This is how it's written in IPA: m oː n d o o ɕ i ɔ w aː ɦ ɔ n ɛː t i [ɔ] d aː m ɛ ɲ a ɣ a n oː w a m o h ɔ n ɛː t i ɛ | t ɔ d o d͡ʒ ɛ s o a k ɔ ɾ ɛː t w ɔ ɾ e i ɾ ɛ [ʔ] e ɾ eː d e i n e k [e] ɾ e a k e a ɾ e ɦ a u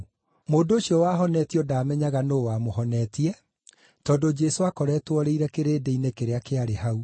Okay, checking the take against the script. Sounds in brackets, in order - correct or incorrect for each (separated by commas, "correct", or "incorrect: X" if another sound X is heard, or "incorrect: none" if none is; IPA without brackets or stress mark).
correct, incorrect: k, correct